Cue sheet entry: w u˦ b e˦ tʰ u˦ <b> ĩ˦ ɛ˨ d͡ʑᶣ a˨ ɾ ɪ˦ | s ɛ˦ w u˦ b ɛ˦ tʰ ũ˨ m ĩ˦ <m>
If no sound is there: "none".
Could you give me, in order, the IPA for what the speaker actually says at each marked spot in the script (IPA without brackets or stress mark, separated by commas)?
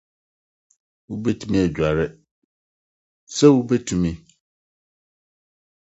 m, none